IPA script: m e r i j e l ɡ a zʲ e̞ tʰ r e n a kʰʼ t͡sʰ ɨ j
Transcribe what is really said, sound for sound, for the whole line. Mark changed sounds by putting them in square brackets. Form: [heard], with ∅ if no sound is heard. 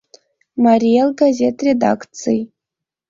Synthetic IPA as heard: m [a] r i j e l ɡ a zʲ e̞ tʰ r e [d] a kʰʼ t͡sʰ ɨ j